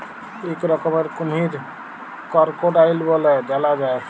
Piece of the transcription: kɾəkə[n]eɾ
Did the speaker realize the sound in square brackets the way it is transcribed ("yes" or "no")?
no